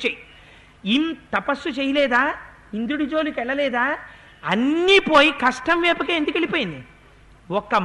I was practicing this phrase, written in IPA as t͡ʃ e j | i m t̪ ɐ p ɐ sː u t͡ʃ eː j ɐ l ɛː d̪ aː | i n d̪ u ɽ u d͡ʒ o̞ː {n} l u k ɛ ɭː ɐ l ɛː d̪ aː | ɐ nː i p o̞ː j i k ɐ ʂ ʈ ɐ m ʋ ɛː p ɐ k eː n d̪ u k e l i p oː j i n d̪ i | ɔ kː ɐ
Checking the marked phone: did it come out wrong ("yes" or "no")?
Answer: yes